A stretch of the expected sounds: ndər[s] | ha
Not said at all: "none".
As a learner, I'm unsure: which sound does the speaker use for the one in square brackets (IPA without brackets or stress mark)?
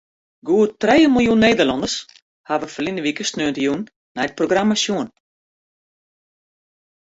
s